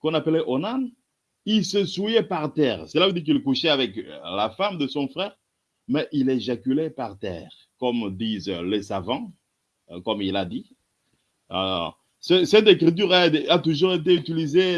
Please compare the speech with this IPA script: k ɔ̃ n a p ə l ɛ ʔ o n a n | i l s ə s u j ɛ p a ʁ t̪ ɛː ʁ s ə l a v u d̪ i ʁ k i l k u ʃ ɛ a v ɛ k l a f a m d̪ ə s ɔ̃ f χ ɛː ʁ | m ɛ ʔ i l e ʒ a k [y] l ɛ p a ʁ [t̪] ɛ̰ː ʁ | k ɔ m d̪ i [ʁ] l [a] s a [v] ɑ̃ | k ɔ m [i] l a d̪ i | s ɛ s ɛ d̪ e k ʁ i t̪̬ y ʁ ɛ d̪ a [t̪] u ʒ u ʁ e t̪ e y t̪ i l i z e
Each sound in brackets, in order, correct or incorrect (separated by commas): correct, correct, incorrect, incorrect, correct, correct, correct